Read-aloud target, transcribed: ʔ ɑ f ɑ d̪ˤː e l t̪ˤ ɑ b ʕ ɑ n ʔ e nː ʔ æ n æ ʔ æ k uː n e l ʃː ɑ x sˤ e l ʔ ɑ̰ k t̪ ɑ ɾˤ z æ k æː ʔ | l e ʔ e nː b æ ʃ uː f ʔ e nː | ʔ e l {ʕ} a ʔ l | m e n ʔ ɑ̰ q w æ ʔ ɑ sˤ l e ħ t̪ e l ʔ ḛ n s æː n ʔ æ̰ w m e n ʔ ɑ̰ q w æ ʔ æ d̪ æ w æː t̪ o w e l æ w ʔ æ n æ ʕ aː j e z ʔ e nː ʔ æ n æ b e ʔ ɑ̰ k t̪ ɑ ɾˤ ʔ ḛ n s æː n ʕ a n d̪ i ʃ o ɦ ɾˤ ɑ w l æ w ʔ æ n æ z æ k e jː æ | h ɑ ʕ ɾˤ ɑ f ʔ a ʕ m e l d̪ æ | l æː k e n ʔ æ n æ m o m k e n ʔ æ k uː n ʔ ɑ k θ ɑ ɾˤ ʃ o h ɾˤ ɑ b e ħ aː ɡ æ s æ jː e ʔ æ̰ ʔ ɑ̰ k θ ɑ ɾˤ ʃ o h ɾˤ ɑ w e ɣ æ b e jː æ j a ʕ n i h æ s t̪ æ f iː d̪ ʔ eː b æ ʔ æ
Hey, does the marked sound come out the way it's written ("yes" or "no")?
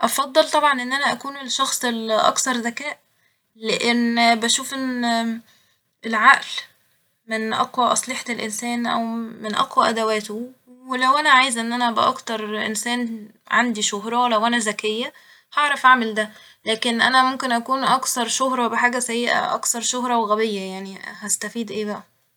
yes